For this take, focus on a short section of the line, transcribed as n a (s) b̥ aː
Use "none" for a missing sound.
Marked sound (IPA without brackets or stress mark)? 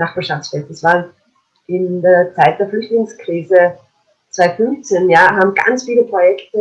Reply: χ